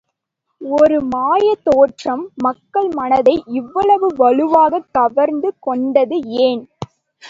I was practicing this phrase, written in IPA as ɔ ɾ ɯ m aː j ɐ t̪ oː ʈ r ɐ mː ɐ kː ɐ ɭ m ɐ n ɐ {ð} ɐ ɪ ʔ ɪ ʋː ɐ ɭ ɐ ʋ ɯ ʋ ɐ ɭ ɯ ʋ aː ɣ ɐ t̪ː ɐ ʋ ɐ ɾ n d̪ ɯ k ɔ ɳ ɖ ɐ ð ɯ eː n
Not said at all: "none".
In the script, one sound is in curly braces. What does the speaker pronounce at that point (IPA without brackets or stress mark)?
ð